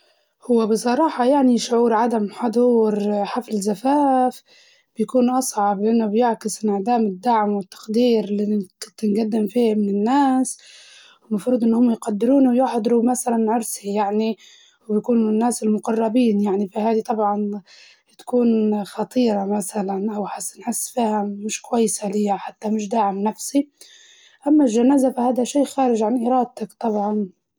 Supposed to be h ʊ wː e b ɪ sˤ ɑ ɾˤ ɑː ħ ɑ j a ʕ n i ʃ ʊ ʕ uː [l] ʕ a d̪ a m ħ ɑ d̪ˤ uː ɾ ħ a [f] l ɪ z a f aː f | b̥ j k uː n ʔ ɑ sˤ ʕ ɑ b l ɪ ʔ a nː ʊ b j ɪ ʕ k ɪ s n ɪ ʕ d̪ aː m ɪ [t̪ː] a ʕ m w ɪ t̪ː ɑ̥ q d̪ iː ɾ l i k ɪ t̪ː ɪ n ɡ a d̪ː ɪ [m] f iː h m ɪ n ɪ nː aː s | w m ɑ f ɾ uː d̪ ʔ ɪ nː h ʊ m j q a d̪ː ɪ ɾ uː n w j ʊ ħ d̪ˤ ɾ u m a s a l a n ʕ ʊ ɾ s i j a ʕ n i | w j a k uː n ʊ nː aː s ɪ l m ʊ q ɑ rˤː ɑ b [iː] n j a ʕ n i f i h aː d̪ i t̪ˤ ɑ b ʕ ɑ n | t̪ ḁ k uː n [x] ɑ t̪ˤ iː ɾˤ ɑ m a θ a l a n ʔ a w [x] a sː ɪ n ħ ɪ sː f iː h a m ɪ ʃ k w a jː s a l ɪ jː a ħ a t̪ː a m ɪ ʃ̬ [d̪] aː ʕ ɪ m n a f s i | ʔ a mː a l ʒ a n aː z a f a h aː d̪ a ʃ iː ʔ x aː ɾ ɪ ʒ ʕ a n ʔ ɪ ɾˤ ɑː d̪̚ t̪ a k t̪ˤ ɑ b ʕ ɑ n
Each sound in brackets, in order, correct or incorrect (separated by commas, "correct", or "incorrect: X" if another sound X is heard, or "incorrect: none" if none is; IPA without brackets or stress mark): incorrect: ɾ, correct, incorrect: d̪ː, correct, correct, correct, incorrect: ħ, correct